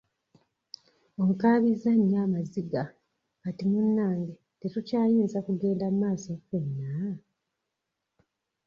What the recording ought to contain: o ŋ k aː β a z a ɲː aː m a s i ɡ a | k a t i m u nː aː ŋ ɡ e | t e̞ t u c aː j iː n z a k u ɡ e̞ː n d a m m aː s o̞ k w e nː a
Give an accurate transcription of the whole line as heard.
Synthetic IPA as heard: o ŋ k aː β i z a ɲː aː m a z i ɡ a | k a t i m u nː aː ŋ ɡ e | t e̞ t u c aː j iː n z a k u ɡ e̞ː n d a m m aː s o̞ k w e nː a